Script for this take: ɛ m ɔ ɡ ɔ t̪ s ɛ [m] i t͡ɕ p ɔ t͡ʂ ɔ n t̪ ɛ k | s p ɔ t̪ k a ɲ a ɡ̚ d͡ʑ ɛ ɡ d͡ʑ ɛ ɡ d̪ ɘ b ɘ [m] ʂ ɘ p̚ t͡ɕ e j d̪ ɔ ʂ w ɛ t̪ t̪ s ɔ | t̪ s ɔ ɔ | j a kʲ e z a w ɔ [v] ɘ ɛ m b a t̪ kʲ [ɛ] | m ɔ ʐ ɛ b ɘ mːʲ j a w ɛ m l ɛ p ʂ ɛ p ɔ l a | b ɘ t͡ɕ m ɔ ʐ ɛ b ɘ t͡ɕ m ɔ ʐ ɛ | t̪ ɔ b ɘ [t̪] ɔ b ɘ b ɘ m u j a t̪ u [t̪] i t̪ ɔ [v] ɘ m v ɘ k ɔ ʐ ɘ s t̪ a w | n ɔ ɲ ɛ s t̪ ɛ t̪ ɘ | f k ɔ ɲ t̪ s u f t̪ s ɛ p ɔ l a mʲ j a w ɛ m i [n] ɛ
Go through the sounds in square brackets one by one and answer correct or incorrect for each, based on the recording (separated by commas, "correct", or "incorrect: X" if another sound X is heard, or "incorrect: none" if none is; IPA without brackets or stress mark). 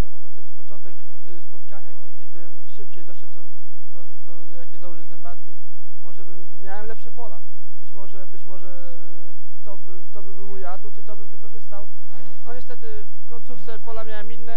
incorrect: ɲ, correct, incorrect: ʐ, incorrect: i, correct, correct, incorrect: b, incorrect: nː